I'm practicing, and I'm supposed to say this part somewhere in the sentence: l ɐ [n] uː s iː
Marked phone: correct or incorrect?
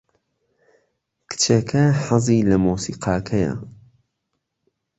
incorrect